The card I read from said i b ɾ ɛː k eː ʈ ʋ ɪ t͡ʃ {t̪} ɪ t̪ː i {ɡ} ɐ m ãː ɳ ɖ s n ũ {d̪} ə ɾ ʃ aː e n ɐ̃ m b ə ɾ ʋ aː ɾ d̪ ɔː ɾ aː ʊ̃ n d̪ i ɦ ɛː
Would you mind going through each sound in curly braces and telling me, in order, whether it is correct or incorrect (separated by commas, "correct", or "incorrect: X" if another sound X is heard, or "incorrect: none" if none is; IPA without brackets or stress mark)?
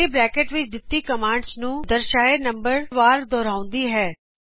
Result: incorrect: d̪, incorrect: k, correct